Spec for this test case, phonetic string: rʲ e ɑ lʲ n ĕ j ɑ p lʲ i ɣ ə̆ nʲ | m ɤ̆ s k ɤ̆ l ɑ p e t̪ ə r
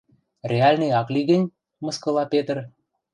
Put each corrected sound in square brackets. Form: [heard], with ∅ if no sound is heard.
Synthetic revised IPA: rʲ e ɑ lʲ n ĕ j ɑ [k] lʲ i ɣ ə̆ nʲ | m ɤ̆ s k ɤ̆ l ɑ p e t̪ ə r